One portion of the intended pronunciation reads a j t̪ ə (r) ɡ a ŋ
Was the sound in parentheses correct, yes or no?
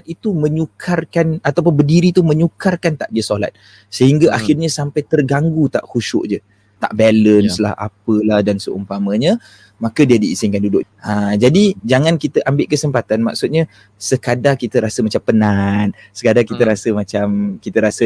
yes